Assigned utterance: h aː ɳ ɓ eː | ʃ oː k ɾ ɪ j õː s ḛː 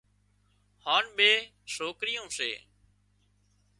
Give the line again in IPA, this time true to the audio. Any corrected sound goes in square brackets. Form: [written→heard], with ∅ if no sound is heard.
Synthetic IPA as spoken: h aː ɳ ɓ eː | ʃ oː k ɾ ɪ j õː s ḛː